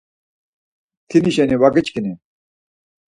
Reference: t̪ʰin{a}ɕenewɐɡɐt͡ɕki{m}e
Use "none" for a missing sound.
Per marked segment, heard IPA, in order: i, n

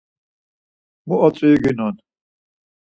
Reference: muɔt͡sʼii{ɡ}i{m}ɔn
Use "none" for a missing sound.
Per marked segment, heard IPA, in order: ɡ, n

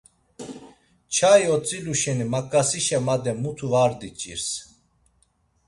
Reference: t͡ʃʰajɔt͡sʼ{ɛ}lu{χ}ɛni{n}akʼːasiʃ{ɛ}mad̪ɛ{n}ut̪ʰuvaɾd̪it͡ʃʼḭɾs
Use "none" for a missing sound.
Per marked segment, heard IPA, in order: i, ʃ, m, ɛ, m

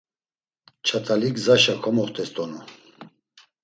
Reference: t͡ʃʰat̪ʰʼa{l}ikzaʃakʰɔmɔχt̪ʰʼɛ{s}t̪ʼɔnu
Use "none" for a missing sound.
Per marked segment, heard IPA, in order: l, s

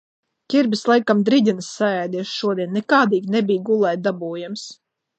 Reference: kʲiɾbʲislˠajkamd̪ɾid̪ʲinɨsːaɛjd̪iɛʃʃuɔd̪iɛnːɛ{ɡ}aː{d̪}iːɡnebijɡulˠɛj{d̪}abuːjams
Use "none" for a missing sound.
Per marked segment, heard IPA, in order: k, d̪, d̪

